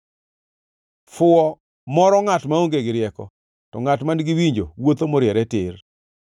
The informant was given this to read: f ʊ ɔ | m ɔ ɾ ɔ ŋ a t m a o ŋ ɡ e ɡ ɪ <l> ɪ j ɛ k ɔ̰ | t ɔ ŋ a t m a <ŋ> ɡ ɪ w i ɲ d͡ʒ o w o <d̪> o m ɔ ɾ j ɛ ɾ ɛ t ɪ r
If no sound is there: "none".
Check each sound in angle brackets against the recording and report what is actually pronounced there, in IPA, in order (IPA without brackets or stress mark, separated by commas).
ɾ, n, t̪